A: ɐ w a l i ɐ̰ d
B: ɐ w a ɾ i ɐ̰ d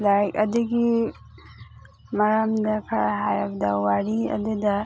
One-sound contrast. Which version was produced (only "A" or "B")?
B